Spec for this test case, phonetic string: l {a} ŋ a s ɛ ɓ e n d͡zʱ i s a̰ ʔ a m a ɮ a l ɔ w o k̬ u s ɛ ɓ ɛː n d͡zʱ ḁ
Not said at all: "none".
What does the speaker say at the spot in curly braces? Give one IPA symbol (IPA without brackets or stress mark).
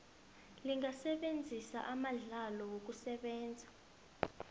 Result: i